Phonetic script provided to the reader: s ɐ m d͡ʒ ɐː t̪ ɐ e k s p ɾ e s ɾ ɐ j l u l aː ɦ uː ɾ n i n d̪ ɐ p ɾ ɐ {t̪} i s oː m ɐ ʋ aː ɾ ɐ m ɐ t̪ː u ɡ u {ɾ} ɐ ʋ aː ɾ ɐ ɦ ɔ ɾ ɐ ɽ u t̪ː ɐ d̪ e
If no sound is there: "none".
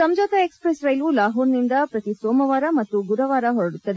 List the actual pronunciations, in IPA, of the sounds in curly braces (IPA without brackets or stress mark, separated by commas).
t̪, ɾ